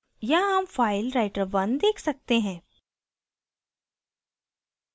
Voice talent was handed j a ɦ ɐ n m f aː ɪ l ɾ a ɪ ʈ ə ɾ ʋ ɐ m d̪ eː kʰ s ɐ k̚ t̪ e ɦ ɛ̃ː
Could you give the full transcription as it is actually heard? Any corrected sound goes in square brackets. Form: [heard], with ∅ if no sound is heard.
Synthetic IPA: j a ɦ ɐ [∅] m f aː ɪ l ɾ a ɪ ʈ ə ɾ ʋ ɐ [n] d̪ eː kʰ s ɐ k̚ t̪ e ɦ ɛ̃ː